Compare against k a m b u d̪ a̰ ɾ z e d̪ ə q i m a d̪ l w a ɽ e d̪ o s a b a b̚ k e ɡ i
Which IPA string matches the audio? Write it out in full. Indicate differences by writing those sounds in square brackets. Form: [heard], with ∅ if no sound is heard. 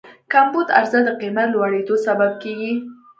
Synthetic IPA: k a m b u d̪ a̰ ɾ z [a] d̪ ə q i m a [t̪] l w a ɽ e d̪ o s a b a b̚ k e ɡ i